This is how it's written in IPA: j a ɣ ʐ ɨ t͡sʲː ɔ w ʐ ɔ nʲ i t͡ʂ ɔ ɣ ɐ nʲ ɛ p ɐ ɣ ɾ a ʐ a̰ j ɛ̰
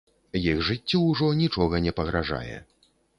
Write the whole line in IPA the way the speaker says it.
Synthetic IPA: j i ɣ ʐ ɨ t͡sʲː ɔ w ʐ ɔ nʲ i t͡ʂ ɔ ɣ ɐ nʲ ɛ p ɐ ɣ ɾ a ʐ a̰ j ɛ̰